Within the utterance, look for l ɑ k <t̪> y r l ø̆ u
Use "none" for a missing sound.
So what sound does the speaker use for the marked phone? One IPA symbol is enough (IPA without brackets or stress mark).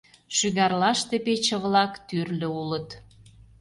t̪